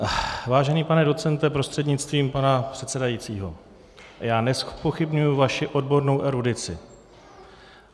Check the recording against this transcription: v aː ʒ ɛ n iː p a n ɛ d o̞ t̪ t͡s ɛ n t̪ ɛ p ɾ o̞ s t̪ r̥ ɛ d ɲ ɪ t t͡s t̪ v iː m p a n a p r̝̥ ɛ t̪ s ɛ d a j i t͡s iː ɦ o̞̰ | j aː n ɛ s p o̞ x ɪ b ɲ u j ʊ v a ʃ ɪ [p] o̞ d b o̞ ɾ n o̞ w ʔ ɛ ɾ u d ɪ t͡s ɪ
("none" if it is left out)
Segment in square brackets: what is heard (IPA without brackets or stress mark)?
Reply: ʔ